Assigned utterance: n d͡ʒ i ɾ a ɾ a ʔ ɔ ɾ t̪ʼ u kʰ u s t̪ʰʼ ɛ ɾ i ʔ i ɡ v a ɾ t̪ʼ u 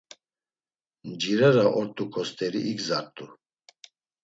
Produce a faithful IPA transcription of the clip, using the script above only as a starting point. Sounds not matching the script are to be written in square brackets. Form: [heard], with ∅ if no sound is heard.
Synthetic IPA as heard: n d͡ʒ i ɾ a ɾ a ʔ ɔ ɾ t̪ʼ u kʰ [ɔ] s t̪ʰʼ ɛ ɾ i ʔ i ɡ [z] a ɾ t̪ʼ u